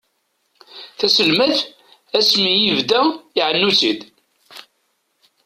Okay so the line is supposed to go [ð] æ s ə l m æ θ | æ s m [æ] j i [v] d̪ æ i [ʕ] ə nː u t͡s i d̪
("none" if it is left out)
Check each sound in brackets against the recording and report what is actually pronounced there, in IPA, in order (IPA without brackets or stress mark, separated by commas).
θ, i, v, ʕ